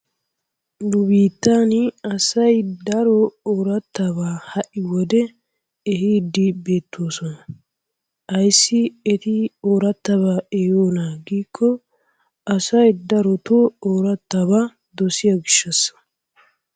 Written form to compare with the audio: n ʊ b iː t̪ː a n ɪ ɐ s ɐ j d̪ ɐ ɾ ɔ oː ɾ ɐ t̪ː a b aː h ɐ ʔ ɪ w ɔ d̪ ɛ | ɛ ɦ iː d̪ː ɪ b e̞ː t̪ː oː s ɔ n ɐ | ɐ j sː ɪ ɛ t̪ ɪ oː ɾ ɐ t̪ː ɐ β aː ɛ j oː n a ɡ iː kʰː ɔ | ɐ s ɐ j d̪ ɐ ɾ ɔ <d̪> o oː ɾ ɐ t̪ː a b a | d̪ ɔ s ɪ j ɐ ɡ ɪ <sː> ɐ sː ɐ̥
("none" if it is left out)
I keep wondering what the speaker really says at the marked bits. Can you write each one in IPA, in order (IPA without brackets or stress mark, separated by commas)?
t̪, ʃː